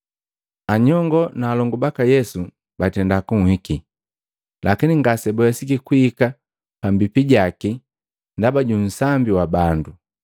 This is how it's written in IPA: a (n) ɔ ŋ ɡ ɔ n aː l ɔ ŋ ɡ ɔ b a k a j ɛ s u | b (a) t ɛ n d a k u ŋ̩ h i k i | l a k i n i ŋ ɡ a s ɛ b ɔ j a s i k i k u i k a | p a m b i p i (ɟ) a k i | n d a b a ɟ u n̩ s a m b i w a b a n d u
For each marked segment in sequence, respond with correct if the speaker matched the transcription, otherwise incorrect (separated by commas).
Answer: incorrect, correct, correct